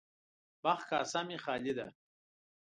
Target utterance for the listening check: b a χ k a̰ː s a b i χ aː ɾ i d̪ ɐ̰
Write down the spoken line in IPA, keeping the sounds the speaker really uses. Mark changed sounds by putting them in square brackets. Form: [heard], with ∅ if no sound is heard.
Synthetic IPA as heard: b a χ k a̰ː s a [m] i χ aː [l] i d̪ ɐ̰